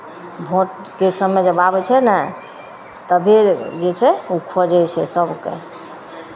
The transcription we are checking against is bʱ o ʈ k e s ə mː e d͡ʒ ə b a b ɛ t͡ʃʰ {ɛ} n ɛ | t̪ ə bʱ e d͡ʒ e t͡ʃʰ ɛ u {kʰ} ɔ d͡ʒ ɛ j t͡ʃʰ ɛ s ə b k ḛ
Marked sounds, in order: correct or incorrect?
correct, correct

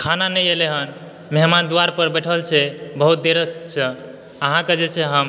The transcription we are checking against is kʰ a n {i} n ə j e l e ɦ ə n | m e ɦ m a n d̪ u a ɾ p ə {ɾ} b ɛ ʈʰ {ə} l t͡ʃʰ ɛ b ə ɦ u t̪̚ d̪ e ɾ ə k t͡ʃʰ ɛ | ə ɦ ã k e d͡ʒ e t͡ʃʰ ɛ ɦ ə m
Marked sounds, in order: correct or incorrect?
incorrect, correct, correct

